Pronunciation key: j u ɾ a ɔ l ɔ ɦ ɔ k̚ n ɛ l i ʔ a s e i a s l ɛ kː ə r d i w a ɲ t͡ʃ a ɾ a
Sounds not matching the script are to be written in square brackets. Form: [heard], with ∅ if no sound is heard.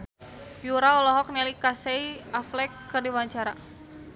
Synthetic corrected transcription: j u ɾ a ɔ l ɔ ɦ ɔ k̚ n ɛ l i [k] a s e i a [f] l ɛ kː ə r d i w a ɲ t͡ʃ a ɾ a

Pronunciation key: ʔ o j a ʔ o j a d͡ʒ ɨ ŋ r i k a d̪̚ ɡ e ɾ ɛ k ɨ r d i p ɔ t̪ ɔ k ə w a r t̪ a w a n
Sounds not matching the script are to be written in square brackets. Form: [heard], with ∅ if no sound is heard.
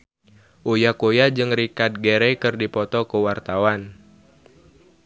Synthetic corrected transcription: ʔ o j a [k] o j a d͡ʒ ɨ ŋ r i k a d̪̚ ɡ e ɾ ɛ k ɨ r d i p ɔ t̪ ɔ k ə w a r t̪ a w a n

